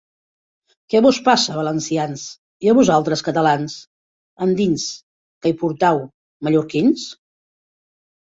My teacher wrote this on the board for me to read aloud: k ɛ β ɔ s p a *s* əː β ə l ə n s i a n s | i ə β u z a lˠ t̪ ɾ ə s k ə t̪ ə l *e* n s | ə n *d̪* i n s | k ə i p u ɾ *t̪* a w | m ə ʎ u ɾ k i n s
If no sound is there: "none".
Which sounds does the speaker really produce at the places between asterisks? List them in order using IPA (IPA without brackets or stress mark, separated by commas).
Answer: s, a, d̪, t̪